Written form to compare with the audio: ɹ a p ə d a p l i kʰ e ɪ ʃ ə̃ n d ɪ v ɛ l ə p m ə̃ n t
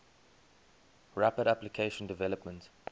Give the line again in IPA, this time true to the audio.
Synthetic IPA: ɹ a p ə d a p l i kʰ e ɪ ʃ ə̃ n d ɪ v ɛ l ə p m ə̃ n t

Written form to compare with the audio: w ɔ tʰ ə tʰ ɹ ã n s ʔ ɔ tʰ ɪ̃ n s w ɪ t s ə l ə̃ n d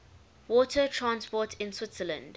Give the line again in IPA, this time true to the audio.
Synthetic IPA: w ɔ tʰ ə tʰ ɹ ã n s p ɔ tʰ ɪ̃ n s w ɪ t s ə l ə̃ n d

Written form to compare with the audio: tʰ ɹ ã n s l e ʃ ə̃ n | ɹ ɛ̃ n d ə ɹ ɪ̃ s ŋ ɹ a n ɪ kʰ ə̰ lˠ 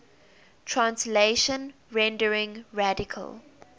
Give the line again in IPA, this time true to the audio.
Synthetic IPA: tʰ ɹ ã n s l e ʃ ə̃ n | ɹ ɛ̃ n d ə ɹ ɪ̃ ŋ ɹ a d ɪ kʰ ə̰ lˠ

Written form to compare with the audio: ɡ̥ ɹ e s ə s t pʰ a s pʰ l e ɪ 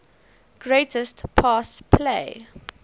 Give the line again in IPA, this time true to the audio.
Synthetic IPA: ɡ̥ ɹ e t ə s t pʰ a s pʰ l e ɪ

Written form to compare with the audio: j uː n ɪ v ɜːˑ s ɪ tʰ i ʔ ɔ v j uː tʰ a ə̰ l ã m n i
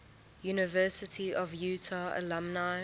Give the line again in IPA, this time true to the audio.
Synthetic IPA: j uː n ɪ v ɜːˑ s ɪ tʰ i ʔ ɔ v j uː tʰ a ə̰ l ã m n a

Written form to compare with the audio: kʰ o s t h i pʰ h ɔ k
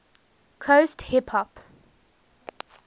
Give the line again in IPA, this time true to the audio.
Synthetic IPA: kʰ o s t h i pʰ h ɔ p

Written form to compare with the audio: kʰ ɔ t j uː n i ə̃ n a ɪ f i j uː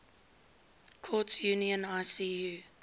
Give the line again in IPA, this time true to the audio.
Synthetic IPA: kʰ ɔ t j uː n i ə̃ n a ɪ s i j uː

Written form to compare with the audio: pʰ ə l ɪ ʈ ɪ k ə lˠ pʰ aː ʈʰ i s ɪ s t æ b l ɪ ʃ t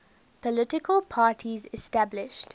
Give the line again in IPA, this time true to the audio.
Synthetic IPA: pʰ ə l ɪ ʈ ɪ k ə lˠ pʰ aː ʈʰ i z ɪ s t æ b l ɪ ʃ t

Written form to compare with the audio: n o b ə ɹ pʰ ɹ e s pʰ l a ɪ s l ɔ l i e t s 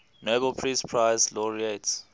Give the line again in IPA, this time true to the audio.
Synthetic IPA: n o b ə l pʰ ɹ i s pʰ ɹ a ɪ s l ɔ ɹ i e t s

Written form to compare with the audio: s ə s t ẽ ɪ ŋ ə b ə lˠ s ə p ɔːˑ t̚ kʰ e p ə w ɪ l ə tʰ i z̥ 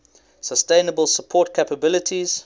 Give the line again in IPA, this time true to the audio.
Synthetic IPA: s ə s t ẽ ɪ n ə b ə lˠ s ə pʰ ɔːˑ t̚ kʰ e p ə b ɪ l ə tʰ i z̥

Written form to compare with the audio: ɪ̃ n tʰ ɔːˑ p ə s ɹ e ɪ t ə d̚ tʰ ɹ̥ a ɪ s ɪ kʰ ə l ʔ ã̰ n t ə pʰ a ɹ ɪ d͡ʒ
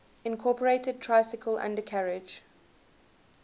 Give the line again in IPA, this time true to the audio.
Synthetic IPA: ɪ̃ n kʰ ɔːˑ p ə ɹ e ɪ t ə d̚ tʰ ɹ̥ a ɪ s ɪ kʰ ə l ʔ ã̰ n d ə kʰ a ɹ ɪ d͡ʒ

